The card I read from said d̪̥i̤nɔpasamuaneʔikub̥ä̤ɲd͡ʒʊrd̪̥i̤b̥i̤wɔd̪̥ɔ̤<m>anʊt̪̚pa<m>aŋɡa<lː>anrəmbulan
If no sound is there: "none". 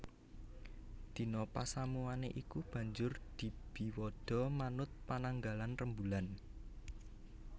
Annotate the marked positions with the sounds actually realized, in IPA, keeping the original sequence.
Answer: m, n, l

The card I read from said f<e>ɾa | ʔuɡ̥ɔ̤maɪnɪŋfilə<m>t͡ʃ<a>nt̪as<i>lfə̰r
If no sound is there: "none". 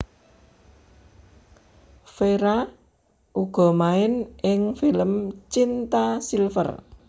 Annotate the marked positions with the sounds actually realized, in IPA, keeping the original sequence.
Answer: e, m, i, i

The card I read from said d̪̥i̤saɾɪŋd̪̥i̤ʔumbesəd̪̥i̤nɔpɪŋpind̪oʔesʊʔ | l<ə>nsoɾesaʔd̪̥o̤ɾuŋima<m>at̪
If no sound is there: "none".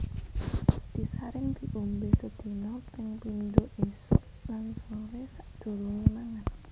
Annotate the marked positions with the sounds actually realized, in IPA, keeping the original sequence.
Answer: a, ŋ

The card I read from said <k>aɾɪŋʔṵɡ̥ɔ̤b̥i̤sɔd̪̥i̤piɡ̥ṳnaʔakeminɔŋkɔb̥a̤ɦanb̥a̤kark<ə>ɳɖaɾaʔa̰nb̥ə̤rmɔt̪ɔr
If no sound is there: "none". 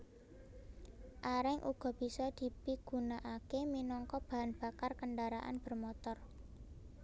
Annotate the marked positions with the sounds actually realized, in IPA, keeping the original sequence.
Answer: ʔ, ə

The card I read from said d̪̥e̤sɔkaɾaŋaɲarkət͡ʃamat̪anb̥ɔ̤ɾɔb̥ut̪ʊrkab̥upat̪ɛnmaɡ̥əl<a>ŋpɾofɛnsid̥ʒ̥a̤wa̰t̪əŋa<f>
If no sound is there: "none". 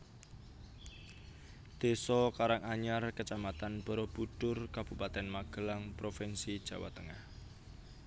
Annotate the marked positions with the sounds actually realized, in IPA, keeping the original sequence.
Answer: a, h

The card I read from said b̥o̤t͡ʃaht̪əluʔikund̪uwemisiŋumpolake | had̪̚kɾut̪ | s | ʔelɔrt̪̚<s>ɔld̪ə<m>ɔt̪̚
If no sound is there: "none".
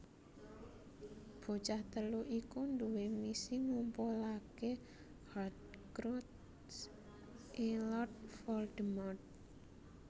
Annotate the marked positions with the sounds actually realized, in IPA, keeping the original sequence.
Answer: f, m

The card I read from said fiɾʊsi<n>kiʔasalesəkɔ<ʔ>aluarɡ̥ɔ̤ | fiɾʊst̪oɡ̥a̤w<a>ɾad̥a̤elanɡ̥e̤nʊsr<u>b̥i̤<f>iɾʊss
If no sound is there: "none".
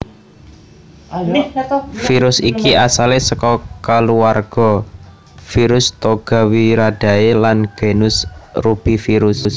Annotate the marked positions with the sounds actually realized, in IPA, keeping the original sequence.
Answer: none, k, i, u, f

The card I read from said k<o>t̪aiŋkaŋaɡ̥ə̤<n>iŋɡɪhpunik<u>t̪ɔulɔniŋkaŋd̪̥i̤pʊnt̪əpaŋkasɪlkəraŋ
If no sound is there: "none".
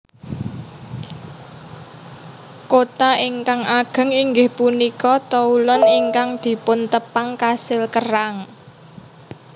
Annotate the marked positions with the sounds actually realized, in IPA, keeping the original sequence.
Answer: o, ŋ, ɔ

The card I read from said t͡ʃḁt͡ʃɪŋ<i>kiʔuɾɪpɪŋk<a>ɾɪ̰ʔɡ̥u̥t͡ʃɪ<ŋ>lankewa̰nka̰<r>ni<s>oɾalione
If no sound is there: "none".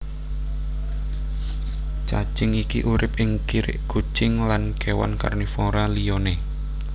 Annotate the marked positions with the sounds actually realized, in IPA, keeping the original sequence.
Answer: i, i, ŋ, r, f

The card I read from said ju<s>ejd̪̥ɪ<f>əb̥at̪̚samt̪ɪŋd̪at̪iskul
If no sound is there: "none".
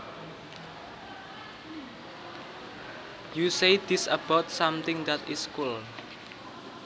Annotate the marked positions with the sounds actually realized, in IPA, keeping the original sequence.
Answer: s, s

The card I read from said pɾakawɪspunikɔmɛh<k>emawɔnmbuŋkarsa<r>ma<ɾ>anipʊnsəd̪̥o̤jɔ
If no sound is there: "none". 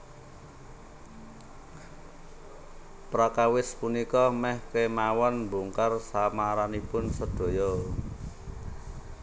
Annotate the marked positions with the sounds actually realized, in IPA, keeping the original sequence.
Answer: k, none, ɾ

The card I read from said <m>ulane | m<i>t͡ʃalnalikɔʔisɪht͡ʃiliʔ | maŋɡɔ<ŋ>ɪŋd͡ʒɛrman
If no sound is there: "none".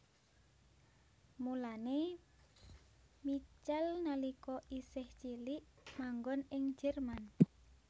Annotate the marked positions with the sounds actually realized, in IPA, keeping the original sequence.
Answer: m, i, n

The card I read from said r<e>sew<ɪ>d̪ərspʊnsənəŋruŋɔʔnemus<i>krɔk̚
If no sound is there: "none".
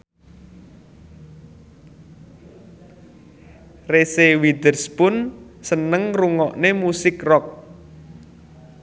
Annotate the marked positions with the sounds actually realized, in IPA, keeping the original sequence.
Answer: e, i, ɪ

